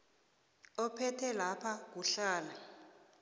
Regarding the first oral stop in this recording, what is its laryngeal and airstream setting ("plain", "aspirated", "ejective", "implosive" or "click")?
aspirated